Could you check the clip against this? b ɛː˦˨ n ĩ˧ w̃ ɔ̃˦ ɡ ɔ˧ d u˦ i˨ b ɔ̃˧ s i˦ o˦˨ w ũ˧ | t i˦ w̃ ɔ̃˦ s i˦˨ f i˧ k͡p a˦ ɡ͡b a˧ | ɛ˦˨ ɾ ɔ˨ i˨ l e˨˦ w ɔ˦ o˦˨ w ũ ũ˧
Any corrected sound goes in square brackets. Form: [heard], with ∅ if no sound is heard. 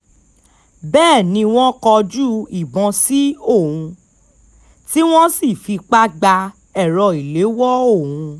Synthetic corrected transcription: b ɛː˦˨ n ĩ˧ w̃ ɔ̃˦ [k] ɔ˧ [d͡ʒ] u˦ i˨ b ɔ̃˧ s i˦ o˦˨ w ũ˧ | t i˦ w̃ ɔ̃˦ s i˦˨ f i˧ k͡p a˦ ɡ͡b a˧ | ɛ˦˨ ɾ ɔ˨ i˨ l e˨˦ w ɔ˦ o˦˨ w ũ ũ˧